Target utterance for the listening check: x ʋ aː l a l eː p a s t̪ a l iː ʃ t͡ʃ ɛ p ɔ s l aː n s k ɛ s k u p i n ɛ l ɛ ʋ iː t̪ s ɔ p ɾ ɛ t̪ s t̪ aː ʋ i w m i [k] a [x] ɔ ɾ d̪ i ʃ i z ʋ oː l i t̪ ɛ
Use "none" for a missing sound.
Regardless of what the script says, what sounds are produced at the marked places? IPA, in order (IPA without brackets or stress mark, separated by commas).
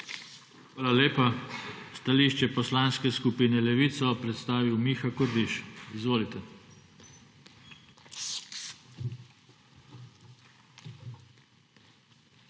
x, k